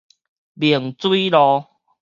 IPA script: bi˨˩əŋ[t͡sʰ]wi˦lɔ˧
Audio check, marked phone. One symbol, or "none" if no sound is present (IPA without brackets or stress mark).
t͡s